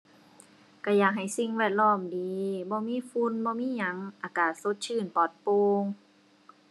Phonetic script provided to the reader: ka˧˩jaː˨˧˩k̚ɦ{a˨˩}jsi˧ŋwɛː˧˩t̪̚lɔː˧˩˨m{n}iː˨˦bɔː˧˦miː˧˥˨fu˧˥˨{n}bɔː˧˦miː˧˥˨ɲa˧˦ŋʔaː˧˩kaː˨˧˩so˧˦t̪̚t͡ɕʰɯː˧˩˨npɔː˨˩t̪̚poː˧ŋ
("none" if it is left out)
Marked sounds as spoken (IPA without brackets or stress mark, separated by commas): a˨˩, d, n